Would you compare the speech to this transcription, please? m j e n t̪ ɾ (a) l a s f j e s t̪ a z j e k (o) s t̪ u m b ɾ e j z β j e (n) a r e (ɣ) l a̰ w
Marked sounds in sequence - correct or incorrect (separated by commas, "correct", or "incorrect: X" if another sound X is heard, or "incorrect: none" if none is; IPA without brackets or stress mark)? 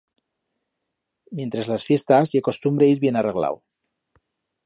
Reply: incorrect: e, correct, correct, correct